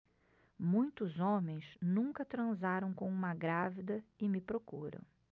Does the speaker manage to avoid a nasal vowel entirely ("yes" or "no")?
no